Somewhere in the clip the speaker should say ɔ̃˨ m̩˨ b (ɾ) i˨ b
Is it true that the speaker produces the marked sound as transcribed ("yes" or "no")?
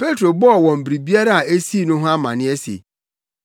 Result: yes